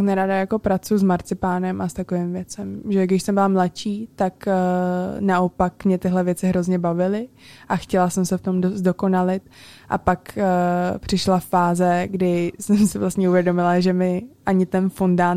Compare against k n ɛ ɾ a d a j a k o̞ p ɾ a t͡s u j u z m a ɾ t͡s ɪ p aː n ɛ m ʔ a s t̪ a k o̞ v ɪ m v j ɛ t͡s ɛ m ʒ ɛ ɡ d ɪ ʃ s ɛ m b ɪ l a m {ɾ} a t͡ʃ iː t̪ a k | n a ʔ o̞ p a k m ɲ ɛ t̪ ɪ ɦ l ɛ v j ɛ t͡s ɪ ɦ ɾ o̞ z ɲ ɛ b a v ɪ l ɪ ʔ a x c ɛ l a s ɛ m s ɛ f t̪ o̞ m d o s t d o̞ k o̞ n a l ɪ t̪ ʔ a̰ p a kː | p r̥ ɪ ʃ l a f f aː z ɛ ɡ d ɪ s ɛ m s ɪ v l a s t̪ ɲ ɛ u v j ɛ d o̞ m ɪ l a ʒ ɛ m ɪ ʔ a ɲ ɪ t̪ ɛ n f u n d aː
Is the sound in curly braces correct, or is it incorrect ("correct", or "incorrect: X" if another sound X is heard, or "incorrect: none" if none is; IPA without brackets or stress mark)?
incorrect: l